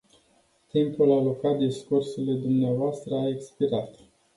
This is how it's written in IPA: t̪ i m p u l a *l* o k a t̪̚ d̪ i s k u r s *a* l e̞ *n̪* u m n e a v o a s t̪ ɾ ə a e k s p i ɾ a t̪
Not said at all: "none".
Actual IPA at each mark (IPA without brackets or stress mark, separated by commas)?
l, e, d̪